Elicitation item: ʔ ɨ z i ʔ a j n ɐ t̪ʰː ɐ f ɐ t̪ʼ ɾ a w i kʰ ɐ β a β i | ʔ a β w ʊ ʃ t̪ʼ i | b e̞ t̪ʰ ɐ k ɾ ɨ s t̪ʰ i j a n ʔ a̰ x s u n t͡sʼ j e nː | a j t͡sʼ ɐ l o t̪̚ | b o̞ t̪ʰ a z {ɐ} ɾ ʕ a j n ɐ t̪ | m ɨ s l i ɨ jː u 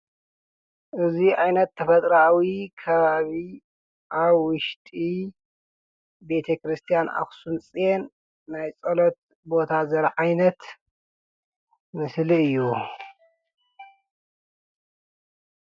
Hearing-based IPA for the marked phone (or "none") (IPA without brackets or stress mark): ɐ